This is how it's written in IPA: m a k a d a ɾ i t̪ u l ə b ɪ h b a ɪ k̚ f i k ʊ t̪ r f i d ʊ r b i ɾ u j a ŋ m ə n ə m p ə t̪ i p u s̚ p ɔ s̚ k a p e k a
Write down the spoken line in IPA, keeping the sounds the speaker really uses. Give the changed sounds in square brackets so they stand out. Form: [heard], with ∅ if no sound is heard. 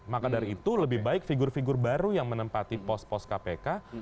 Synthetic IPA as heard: m a k a d a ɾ i t̪ u l ə b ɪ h b a ɪ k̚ f i [ɡ] ʊ [∅] r f i [ɡ] ʊ r b [a] ɾ u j a ŋ m ə n ə m p [a] t̪ i p [ɔ] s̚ p ɔ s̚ k a p e k a